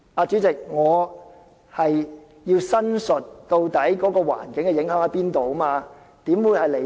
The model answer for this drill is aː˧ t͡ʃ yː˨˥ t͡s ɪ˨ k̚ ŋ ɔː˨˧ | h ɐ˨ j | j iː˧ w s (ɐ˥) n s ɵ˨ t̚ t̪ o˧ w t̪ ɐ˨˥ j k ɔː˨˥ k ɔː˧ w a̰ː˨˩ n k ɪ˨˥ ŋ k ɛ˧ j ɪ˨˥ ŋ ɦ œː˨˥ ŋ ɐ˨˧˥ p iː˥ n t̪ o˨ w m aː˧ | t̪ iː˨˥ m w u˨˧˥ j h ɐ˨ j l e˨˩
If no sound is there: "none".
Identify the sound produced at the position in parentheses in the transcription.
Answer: ɐ˥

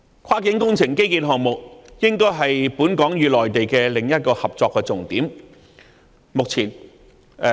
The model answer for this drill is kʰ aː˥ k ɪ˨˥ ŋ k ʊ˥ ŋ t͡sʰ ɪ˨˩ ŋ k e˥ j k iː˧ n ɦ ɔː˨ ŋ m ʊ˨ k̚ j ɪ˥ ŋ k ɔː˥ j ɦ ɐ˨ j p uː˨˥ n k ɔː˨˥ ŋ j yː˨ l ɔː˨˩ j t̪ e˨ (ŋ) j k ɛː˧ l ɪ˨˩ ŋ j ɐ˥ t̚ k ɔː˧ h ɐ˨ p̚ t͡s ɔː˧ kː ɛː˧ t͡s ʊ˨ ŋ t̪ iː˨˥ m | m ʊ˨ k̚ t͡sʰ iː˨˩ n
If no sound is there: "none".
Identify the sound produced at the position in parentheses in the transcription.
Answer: none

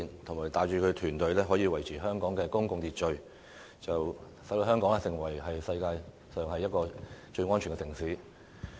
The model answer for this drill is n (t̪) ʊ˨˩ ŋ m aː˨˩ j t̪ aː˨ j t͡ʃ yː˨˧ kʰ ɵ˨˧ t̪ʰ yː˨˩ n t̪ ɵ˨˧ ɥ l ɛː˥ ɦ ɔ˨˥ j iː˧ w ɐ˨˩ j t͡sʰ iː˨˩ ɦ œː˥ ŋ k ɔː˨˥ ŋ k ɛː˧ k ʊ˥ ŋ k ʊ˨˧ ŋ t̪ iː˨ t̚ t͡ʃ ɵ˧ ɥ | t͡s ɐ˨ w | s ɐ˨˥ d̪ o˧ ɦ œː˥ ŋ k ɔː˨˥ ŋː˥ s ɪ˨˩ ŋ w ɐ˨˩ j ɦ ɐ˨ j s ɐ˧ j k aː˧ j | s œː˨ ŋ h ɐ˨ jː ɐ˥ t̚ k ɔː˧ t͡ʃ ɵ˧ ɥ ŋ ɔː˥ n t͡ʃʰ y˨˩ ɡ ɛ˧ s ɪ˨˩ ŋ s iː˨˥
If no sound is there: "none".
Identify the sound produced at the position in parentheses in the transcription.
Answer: t̪ʰ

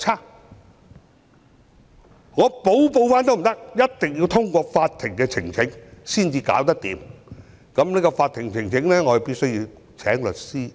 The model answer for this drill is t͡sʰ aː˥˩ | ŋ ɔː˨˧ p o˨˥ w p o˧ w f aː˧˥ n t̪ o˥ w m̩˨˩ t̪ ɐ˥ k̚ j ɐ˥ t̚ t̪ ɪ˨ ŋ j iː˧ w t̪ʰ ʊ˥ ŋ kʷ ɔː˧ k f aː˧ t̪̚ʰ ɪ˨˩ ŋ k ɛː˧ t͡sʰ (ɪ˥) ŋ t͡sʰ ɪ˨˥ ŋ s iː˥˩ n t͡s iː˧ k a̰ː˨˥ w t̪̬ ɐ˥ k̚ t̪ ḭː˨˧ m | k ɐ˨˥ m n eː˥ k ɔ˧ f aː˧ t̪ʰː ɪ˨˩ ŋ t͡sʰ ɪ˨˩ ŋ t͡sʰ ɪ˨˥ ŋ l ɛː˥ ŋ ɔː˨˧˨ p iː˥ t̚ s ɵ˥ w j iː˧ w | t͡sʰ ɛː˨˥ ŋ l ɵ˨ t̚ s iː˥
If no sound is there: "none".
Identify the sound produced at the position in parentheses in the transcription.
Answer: ɪ˨˩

